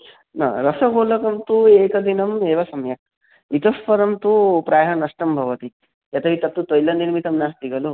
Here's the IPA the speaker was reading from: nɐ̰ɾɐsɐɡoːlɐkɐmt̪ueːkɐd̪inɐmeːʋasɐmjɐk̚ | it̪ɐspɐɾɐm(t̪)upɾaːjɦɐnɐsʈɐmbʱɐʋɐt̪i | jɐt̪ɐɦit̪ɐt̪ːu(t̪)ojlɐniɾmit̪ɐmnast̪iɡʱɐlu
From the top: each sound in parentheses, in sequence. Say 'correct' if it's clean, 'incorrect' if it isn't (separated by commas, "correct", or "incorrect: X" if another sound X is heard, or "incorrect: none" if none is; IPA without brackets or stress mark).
correct, correct